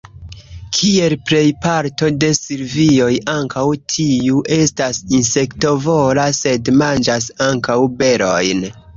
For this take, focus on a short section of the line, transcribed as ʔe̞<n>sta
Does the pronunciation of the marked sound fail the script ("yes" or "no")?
yes